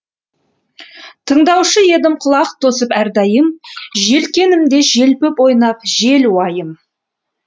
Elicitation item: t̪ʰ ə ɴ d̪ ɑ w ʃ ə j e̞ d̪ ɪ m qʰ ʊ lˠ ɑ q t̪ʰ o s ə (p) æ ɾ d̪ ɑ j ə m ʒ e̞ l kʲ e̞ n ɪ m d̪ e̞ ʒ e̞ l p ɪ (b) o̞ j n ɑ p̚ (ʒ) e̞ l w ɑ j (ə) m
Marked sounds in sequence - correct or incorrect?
correct, incorrect: p, correct, correct

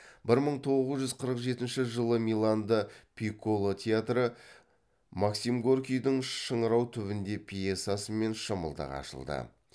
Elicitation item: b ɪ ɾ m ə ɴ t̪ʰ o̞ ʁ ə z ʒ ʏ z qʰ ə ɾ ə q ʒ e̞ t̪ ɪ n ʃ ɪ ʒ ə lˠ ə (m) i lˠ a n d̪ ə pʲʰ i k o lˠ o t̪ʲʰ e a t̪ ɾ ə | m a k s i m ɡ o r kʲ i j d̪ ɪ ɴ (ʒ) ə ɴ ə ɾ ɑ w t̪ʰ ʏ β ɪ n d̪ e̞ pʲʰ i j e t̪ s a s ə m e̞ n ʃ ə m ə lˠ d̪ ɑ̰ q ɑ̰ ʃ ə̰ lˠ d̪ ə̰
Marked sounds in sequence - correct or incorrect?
correct, incorrect: ʃ

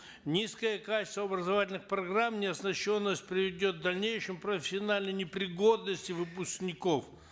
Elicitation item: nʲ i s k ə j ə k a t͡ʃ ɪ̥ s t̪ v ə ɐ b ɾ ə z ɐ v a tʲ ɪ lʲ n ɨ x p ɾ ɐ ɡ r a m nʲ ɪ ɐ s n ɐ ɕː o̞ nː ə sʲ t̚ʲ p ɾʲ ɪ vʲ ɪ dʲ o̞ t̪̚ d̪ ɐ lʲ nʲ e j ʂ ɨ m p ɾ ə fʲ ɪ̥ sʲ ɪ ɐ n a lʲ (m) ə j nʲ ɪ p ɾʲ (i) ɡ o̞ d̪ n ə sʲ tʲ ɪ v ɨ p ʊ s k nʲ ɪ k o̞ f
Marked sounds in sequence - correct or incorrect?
incorrect: n, incorrect: ɪ

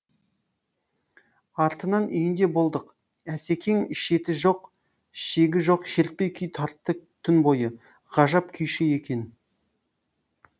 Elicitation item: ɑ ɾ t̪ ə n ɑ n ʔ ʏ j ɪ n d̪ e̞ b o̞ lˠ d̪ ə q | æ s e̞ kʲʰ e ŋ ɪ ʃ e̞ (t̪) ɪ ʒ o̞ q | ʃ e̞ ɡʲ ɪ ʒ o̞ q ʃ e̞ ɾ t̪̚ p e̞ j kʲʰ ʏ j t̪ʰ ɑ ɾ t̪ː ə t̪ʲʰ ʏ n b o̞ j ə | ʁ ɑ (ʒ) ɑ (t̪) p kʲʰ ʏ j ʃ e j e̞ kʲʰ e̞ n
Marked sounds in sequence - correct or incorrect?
correct, correct, incorrect: none

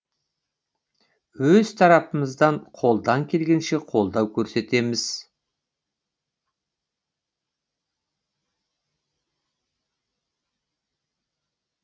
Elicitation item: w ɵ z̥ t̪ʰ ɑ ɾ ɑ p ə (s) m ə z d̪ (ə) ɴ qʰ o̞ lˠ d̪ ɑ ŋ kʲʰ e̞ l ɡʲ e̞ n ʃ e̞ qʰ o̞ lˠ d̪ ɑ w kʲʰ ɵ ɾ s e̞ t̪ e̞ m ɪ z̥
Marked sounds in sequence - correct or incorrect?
incorrect: none, incorrect: ɑ

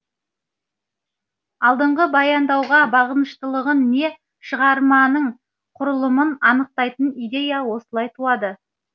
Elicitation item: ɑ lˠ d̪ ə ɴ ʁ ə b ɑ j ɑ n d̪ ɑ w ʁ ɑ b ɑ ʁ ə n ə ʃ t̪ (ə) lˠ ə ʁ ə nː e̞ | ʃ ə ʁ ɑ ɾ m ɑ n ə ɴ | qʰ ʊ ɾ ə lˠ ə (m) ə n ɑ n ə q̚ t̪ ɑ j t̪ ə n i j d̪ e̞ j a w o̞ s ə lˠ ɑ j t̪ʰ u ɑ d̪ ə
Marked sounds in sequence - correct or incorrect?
correct, correct

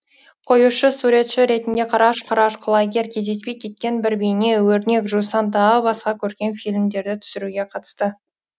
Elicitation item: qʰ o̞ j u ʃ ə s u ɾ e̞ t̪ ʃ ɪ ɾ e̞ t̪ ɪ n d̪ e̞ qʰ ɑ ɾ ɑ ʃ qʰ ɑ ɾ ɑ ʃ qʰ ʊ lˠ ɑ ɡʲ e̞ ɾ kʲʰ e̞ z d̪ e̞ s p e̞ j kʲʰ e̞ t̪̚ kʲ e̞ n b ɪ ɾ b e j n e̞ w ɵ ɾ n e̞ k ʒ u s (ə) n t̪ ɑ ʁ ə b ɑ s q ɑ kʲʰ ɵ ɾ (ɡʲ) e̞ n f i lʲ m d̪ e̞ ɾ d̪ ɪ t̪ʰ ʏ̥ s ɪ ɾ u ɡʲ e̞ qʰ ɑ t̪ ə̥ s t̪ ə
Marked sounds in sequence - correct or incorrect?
incorrect: ɑ, incorrect: kʲ

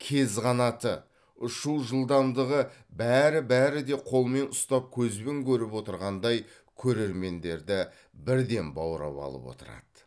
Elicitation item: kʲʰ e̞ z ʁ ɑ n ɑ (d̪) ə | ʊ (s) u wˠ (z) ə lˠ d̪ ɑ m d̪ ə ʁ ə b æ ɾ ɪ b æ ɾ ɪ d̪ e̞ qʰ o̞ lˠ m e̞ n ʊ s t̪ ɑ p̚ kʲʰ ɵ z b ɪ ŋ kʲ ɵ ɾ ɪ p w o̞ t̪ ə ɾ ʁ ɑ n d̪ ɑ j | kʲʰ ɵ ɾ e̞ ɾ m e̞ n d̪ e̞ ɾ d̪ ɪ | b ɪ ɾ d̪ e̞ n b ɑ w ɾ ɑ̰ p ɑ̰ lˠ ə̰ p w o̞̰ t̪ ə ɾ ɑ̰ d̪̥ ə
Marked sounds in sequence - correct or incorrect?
incorrect: t̪, incorrect: ʃ, incorrect: ʒ

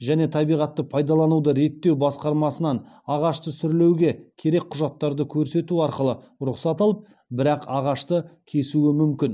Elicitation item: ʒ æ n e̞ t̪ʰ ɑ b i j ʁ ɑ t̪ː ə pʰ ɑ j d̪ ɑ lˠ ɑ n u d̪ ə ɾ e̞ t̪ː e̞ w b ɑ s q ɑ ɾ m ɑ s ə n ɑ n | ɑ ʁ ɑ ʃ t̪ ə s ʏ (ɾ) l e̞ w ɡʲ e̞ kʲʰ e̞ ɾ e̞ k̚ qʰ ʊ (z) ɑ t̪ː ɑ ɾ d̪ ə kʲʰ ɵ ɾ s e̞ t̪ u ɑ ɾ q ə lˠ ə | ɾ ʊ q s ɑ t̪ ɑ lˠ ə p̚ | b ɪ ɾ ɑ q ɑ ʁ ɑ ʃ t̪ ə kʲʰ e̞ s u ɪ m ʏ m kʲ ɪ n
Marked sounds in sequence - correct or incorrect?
correct, incorrect: ʒ

